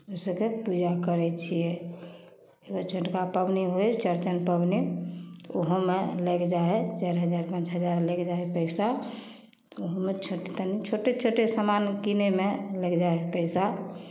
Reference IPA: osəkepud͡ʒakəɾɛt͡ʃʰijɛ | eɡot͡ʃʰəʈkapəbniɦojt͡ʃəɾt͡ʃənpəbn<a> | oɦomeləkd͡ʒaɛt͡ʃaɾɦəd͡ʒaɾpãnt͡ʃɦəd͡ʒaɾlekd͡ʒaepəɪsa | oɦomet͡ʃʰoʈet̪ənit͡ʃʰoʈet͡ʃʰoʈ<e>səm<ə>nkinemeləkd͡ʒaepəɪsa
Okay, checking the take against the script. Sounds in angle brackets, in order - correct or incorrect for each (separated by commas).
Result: incorrect, correct, incorrect